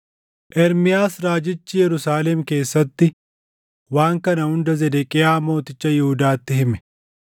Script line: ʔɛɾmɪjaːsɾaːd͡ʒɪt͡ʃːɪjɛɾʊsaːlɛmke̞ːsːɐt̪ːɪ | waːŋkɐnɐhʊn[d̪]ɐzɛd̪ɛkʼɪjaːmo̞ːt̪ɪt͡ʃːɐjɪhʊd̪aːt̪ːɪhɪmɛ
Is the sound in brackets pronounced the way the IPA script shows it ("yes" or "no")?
yes